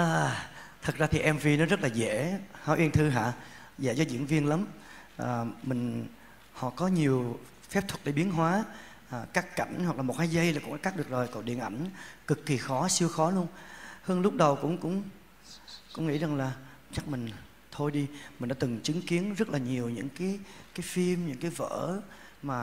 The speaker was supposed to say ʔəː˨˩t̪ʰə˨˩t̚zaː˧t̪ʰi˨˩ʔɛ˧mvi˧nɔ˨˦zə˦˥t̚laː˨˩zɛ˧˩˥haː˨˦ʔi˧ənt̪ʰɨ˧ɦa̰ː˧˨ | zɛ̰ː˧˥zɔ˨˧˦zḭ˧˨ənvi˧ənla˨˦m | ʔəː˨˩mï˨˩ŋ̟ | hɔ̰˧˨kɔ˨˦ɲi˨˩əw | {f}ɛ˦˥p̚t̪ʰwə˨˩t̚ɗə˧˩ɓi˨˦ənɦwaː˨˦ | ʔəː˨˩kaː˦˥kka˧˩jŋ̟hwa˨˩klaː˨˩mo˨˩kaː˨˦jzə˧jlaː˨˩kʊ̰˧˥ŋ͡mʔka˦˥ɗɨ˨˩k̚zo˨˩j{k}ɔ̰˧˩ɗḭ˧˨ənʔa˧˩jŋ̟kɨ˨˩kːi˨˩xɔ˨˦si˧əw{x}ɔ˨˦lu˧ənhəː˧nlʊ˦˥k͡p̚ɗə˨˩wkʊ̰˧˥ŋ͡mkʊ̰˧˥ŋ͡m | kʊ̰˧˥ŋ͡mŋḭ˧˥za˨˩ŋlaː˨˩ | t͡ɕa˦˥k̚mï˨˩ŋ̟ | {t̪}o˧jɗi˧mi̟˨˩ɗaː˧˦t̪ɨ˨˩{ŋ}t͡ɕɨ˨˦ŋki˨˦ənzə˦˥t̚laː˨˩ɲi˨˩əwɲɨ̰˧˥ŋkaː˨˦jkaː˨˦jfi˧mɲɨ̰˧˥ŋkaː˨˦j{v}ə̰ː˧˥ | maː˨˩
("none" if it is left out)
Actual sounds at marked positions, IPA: f, k, x, t̪ʰ, ŋ, v

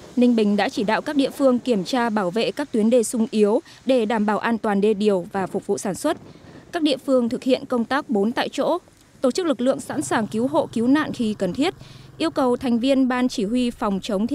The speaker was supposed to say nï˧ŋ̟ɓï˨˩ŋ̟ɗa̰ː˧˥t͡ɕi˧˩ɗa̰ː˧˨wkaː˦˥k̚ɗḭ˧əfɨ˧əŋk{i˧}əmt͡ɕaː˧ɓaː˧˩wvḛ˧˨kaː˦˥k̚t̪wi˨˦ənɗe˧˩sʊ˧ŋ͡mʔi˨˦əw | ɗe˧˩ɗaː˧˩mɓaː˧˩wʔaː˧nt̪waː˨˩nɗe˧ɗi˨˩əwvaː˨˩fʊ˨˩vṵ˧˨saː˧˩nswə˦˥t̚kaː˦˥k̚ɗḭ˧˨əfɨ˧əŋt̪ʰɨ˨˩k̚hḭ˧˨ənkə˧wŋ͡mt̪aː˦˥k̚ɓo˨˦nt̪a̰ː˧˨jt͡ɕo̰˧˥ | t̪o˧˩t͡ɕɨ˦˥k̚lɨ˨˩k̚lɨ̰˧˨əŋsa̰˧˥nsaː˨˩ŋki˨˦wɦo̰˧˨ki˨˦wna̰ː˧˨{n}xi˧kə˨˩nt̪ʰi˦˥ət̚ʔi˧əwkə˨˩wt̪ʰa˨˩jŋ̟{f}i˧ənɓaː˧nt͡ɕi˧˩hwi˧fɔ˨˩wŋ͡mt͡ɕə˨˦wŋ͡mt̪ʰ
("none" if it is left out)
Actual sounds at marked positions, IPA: i˧˩, n, v

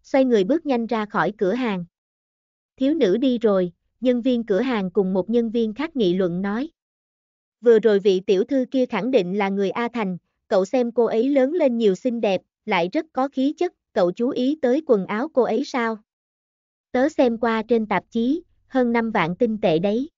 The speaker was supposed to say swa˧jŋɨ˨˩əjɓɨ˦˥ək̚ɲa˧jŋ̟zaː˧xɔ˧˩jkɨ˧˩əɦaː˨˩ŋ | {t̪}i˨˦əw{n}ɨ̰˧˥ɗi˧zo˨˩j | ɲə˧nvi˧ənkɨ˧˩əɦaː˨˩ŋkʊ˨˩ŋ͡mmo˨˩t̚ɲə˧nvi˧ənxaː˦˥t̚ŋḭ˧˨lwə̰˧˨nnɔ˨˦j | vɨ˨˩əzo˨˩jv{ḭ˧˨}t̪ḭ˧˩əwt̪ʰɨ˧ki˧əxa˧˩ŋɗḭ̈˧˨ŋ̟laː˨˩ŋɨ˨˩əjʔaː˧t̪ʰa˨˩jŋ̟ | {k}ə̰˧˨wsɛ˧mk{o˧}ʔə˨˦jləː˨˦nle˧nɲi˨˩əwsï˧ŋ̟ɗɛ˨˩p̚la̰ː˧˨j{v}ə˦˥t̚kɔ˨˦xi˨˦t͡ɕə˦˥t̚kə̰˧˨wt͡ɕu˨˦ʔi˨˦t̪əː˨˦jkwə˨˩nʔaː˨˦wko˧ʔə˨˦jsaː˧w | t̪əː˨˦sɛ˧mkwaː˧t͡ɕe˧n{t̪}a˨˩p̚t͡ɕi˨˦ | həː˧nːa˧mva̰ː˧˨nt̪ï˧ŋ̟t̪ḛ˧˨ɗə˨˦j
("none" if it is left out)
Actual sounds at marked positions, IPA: t̪ʰ, n, ḭ˧˨, k, o˧, z, t̪

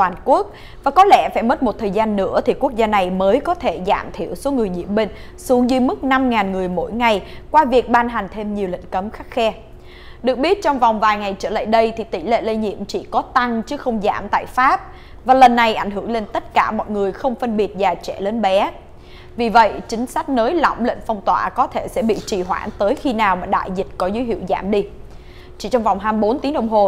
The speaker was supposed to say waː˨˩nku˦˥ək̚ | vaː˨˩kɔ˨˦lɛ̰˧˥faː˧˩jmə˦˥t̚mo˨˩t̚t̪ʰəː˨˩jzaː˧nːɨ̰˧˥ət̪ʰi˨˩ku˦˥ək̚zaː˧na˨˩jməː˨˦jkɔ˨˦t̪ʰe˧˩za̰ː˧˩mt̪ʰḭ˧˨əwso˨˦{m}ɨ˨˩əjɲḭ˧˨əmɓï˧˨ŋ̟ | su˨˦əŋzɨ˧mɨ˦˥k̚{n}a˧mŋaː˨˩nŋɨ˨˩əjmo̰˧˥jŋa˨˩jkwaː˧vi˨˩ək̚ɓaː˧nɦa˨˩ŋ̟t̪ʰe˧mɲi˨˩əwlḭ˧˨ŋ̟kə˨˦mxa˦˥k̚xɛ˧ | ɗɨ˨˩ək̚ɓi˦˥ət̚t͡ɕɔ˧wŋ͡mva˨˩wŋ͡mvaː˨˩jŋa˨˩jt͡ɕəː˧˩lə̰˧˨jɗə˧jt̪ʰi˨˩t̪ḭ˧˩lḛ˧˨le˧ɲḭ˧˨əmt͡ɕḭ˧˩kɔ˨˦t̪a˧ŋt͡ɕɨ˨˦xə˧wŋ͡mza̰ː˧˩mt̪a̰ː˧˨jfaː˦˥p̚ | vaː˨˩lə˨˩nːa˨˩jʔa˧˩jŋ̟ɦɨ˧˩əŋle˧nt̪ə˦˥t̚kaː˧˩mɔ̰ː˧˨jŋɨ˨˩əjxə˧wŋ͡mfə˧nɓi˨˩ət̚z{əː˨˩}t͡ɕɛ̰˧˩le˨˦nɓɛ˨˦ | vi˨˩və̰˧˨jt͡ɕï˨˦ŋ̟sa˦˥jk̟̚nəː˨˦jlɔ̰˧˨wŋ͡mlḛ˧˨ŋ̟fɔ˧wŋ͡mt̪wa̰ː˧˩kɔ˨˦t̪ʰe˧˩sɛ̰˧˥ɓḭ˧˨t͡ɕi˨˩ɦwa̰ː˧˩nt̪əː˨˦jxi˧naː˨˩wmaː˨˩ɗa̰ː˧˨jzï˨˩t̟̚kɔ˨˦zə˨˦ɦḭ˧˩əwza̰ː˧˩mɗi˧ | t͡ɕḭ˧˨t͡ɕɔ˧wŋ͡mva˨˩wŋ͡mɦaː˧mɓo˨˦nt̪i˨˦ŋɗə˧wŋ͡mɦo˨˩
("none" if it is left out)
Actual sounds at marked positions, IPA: ŋ, n, aː˨˩

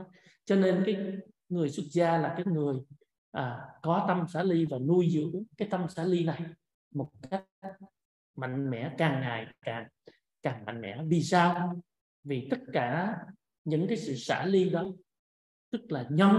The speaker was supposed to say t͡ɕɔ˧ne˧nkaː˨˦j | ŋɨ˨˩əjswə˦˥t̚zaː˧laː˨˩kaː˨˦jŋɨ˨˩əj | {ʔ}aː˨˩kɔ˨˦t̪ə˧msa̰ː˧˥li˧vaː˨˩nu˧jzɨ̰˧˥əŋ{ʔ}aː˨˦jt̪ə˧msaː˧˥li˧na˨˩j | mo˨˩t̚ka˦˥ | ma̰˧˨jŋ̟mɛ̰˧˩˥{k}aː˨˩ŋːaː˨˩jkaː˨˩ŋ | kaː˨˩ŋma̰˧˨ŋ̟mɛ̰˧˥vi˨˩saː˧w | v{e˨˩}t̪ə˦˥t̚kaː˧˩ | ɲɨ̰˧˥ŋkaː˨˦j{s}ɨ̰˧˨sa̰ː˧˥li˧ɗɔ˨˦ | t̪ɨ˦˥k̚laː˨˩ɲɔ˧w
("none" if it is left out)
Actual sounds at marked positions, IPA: ʔ, k, k, i˨˩, s

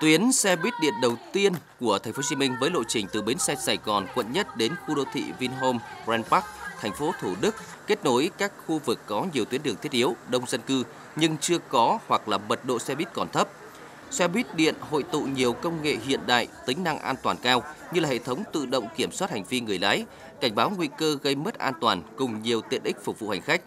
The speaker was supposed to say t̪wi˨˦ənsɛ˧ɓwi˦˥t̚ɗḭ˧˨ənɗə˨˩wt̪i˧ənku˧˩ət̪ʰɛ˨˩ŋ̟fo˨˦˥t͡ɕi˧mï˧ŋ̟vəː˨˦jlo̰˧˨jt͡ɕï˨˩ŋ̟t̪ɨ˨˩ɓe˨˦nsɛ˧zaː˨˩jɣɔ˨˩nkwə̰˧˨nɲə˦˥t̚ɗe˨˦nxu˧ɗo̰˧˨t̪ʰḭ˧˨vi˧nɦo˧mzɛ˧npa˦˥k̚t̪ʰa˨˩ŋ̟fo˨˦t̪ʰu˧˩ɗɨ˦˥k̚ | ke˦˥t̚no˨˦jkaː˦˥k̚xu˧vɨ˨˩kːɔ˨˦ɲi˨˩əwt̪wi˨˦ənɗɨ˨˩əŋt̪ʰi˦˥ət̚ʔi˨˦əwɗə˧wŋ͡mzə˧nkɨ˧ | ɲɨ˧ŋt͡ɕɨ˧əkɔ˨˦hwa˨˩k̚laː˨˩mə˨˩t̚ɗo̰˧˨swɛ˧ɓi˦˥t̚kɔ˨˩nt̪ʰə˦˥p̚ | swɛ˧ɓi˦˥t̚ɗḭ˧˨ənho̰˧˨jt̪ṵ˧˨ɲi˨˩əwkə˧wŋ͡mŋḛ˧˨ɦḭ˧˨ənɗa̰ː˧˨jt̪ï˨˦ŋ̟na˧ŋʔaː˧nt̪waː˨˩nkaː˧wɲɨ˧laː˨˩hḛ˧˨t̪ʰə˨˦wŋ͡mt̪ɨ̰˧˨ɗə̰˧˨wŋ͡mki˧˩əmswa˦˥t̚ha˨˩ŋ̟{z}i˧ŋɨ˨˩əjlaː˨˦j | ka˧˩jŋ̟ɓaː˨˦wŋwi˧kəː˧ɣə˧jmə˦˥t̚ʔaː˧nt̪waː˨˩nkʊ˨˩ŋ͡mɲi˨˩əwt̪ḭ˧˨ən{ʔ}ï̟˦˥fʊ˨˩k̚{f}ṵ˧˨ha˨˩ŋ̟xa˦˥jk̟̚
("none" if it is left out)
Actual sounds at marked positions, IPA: v, ʔ, v

